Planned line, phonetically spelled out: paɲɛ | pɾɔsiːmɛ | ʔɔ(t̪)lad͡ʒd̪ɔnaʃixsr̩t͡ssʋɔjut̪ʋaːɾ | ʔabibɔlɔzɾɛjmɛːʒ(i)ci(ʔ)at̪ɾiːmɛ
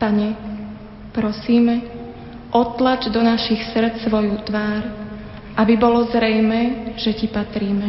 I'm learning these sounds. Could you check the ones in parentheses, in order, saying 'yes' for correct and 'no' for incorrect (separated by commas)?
yes, no, no